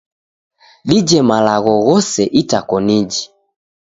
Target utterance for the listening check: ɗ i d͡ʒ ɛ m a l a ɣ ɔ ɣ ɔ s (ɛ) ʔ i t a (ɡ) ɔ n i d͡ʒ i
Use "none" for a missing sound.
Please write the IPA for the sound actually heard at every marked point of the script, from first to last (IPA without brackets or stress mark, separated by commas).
ɛ, k